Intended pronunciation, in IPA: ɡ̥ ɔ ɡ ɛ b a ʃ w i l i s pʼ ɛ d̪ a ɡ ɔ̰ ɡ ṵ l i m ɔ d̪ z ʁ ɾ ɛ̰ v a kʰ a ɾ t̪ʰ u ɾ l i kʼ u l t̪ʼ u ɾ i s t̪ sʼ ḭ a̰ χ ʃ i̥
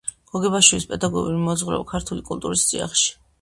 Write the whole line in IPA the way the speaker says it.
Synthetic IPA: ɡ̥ ɔ ɡ ɛ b a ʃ w i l i s pʼ ɛ d̪ a ɡ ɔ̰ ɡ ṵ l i m ɔ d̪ z ʁ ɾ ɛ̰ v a kʰ a ɾ t̪ʰ u l i kʼ u l t̪ʼ u ɾ i s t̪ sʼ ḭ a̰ χ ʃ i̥